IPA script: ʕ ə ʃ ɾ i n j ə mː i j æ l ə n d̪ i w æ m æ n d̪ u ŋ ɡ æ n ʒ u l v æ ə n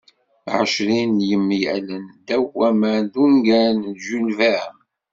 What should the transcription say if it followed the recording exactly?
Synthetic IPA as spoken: ʕ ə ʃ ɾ i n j ə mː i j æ l ə n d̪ æ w æ m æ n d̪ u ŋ ɡ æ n ʒ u l v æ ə m